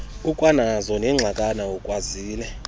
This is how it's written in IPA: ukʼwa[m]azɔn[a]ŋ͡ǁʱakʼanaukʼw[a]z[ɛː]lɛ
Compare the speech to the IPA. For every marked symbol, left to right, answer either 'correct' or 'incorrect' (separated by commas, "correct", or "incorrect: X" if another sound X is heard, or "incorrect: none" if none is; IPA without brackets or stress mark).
incorrect: n, incorrect: ɛ, correct, incorrect: iː